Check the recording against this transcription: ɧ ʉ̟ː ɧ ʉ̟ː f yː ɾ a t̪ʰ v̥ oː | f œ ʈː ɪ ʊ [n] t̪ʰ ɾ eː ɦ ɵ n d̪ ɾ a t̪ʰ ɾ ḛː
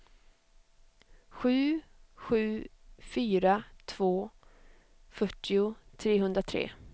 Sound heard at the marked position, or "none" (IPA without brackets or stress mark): none